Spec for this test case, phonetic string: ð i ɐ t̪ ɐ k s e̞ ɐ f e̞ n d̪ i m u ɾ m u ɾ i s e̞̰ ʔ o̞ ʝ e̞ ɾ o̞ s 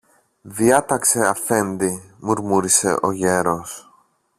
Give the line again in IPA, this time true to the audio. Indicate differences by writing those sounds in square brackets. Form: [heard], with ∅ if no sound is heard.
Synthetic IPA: ð i ɐ t̪ ɐ k s e̞ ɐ f e̞ n d̪ i m u ɾ m u ɾ i s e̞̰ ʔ o̞ ʝ e̞ ɾ o̞ s